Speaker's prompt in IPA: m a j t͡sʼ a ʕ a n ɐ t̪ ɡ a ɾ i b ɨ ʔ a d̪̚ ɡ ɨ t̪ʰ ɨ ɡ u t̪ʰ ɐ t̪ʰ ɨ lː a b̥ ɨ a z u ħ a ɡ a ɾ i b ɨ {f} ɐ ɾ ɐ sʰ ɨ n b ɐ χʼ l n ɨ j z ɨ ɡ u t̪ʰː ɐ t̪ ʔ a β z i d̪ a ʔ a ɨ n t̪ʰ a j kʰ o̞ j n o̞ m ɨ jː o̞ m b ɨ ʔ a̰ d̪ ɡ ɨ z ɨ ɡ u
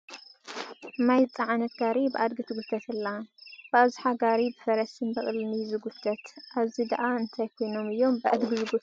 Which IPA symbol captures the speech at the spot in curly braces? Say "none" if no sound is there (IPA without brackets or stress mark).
f